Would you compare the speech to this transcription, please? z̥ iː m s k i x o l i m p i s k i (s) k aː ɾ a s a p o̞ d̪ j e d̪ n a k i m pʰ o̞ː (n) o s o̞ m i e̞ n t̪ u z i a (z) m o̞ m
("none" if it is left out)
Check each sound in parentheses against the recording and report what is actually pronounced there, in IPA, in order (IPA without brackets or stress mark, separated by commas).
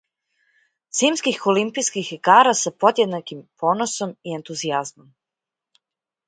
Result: x, n, z